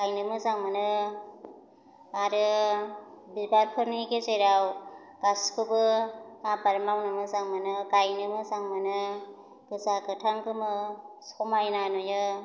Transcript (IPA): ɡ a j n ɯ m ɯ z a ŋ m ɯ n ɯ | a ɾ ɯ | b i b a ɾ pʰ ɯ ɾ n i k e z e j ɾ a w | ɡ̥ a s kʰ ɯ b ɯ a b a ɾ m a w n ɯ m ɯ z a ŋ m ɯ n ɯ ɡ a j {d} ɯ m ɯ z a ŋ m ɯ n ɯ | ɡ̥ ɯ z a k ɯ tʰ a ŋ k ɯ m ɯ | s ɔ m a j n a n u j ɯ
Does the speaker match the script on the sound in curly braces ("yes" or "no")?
no